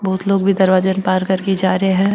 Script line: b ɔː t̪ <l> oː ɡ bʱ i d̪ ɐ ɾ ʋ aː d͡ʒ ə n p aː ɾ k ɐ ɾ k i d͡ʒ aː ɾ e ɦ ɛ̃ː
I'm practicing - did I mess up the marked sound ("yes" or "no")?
no